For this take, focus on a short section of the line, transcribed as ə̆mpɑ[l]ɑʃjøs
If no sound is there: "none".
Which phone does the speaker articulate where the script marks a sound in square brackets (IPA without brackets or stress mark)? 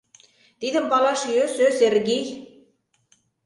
l